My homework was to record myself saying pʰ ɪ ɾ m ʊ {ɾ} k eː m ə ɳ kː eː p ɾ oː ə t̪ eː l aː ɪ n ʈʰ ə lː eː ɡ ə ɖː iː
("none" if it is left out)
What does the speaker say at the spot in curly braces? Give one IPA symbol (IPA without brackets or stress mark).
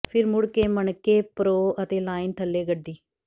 ɽ